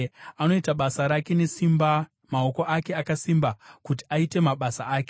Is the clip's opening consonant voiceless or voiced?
voiced